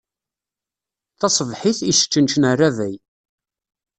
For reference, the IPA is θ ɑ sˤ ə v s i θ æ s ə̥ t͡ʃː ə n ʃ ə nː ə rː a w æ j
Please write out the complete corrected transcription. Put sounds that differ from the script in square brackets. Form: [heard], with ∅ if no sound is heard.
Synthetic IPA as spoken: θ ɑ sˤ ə v [ħ] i θ [i] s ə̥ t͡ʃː ə n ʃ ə [n] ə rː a [v] æ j